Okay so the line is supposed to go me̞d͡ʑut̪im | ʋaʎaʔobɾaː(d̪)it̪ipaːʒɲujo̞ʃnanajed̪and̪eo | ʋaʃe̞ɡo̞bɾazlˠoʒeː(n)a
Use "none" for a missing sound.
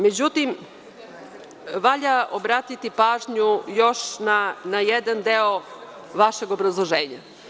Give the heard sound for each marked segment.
t̪, ɲ

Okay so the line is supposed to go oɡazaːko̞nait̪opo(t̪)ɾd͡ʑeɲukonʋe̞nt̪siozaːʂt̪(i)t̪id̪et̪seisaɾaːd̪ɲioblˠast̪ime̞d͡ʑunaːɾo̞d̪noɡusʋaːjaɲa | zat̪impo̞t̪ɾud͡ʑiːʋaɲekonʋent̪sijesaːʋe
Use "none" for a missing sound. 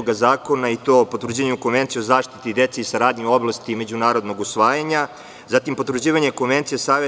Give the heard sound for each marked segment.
t̪, i

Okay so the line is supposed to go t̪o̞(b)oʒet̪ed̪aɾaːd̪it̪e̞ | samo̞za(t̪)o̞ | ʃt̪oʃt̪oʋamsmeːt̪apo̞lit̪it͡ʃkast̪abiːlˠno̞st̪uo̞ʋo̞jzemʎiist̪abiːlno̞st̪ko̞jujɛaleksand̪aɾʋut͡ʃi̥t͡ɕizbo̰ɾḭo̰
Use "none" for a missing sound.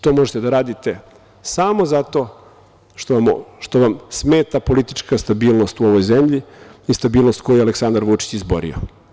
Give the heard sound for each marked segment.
m, t̪

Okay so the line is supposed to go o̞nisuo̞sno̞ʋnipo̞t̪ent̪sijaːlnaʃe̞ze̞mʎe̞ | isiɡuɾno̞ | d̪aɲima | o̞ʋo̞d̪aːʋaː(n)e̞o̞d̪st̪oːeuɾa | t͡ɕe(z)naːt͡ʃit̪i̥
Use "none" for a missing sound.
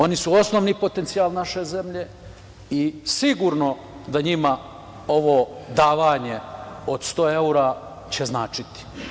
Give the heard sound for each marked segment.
ɲ, z

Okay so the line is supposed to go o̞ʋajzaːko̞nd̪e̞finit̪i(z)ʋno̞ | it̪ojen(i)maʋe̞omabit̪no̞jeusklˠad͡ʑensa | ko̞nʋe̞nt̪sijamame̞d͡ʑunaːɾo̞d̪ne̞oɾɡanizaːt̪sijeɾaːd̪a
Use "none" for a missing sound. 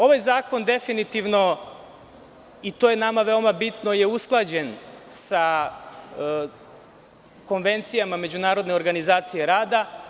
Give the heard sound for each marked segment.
none, a

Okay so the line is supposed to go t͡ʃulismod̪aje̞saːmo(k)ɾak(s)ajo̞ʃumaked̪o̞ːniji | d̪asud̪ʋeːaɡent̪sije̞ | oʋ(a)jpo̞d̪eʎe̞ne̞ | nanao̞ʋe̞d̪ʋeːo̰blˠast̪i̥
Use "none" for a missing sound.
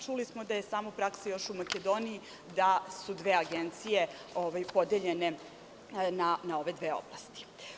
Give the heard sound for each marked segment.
p, s, a

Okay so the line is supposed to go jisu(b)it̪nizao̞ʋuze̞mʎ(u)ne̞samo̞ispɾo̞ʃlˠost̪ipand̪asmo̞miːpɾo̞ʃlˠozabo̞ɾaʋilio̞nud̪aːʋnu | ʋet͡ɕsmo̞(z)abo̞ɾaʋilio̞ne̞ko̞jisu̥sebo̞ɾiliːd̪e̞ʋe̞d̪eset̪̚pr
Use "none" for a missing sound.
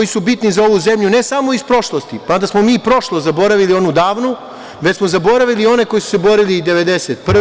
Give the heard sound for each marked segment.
b, u, z

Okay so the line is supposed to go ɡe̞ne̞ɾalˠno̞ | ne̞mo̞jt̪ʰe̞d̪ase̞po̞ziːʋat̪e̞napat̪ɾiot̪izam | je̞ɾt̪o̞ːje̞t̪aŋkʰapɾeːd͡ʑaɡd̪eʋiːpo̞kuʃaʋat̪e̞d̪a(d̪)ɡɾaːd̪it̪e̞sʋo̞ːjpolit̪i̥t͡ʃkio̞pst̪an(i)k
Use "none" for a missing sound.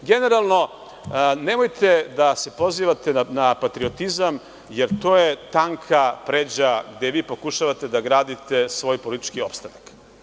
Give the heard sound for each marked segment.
none, a

